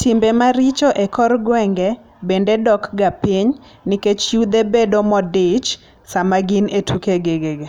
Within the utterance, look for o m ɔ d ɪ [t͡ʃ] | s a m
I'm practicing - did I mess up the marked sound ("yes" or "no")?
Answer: no